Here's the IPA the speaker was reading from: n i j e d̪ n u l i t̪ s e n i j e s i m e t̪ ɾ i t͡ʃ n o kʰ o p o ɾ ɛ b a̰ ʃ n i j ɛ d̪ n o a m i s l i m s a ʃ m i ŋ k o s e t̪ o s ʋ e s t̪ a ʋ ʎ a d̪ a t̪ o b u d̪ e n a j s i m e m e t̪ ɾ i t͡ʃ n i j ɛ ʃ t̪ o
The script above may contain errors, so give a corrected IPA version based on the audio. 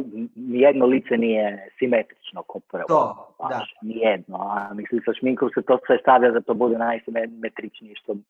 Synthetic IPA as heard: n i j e d̪ n o l i t̪ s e n i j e s i m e t̪ ɾ i t͡ʃ n o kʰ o p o ɾ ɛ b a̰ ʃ n i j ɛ d̪ n o a m i s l i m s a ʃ m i ŋ k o s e t̪ o s ʋ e s t̪ a ʋ ʎ a d̪ a t̪ o b u d̪ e n a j s i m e m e t̪ ɾ i t͡ʃ n i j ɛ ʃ t̪ o